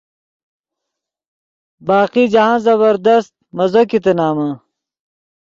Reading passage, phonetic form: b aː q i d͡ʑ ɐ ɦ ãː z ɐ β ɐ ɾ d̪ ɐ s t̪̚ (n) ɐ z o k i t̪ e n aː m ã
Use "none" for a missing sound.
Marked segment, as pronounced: m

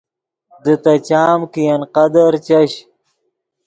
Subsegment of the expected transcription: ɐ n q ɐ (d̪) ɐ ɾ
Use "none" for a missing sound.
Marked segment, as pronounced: d̪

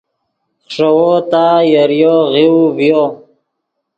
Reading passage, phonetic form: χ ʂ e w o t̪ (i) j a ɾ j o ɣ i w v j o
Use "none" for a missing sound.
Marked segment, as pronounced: a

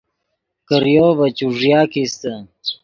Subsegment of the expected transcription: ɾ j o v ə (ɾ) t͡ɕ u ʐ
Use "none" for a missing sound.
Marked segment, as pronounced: none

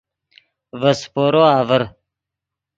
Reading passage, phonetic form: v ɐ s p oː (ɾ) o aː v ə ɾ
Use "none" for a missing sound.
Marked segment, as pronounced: ɾ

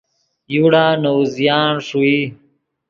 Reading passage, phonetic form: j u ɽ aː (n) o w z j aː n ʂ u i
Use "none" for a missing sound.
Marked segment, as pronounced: n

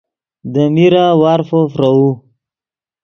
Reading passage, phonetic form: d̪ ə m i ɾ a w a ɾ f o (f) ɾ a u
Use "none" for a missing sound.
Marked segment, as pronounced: f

